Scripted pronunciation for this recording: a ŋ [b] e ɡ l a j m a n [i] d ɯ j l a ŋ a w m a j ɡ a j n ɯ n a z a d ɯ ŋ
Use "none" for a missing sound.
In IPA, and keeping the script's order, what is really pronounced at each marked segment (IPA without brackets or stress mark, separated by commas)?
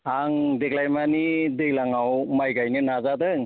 d, i